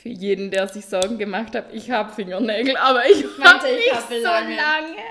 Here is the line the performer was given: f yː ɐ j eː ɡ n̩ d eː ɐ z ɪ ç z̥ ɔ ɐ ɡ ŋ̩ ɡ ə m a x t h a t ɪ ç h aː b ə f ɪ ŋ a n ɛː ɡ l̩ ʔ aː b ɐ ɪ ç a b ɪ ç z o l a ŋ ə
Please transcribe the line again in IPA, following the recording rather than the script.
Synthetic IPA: f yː ɐ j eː d n̩ d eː ɐ z ɪ ç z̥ ɔ ɐ ɡ ŋ̩ ɡ ə m a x t h a t ɪ ç h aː b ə f ɪ ŋ ɐ n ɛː ɡ l̩ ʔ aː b ɐ ɪ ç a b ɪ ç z o l a ŋ ə